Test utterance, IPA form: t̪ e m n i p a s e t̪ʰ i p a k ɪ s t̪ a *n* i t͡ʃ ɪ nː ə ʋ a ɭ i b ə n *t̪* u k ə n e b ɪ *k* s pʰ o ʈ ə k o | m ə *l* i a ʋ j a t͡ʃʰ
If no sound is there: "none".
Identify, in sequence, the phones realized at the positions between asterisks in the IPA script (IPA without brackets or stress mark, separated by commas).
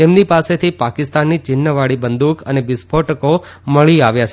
nː, d̪, none, ɭ